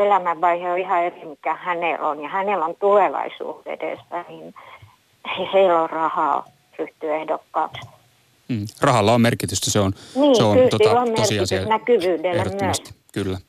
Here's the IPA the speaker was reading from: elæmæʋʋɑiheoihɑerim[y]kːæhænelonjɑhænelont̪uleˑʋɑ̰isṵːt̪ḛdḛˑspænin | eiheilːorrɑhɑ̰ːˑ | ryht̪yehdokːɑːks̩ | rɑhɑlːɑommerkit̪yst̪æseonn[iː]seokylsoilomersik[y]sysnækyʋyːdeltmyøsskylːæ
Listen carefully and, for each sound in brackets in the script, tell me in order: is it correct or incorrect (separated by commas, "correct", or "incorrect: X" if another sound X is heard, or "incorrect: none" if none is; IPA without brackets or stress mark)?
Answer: incorrect: i, correct, incorrect: i